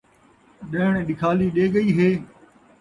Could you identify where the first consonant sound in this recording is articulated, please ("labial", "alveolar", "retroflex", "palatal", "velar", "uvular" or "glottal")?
alveolar